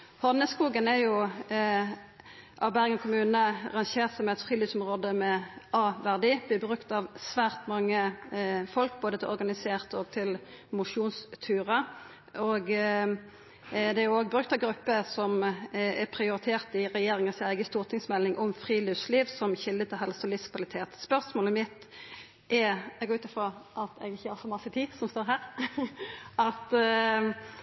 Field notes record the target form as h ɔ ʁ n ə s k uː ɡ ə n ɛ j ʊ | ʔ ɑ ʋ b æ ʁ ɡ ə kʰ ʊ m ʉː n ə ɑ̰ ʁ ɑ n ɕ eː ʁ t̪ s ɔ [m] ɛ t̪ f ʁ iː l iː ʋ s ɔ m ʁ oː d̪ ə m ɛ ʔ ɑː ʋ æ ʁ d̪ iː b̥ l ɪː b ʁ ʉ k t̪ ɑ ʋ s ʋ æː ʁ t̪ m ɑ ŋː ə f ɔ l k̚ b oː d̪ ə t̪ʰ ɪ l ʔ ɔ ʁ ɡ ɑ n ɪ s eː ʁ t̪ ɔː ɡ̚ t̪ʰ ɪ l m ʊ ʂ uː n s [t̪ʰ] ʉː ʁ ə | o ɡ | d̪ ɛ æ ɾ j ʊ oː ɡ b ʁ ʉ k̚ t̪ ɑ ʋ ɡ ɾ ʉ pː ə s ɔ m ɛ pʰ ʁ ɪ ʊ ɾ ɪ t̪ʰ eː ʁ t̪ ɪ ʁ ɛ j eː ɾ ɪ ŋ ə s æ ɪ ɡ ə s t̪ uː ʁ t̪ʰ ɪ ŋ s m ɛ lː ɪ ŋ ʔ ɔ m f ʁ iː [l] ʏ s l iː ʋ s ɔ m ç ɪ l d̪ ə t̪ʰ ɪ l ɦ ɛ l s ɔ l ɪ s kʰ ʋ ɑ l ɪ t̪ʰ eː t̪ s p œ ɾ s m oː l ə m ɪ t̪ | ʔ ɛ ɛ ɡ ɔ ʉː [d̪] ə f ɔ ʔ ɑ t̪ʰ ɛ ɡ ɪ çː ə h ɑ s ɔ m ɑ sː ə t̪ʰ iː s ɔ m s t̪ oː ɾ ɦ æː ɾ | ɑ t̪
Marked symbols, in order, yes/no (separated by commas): yes, yes, yes, no